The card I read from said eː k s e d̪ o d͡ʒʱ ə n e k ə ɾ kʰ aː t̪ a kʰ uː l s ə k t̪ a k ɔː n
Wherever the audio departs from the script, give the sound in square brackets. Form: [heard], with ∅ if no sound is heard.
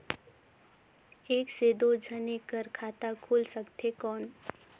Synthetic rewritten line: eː k s e d̪ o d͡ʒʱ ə n e k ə ɾ kʰ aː t̪ a kʰ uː l s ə k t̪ [e] k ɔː n